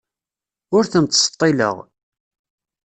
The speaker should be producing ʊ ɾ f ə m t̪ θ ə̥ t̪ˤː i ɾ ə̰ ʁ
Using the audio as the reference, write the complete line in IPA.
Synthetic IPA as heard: ʊ ɾ θ ə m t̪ s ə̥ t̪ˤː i l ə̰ ʁ